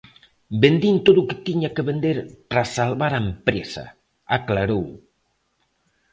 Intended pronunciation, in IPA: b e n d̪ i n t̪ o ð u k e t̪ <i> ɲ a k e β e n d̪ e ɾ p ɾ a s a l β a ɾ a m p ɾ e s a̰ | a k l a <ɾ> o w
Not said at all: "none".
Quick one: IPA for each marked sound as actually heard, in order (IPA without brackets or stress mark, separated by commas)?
i, ɾ